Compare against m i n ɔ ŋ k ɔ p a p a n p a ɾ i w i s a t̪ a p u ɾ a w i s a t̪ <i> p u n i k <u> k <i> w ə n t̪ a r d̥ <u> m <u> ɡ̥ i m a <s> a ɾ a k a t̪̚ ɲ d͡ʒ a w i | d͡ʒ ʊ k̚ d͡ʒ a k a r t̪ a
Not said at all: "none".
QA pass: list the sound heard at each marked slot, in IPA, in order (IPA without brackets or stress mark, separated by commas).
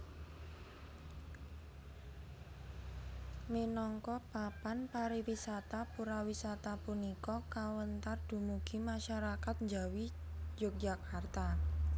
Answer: a, ɔ, a, u, u, ʃ